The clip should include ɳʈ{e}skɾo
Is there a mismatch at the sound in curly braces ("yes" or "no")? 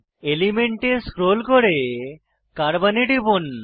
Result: no